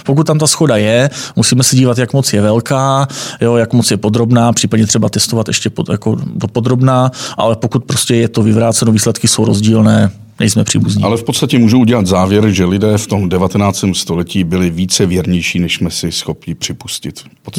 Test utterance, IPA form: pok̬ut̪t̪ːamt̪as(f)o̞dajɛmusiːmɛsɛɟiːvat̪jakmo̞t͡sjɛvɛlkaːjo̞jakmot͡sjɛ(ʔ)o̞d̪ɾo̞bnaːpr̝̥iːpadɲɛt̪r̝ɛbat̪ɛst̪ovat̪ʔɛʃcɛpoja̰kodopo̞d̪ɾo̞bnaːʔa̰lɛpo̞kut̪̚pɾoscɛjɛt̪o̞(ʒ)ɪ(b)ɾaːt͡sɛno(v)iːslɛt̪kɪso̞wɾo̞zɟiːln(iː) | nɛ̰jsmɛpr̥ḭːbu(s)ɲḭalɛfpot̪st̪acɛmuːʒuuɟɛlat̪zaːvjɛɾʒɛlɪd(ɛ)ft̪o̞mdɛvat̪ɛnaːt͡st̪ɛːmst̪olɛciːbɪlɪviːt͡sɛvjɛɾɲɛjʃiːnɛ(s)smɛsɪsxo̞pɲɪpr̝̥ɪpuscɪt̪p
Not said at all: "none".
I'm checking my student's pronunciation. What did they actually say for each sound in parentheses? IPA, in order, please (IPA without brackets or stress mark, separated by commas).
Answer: x, p, v, v, v, ɛː, z, ɛː, ʃ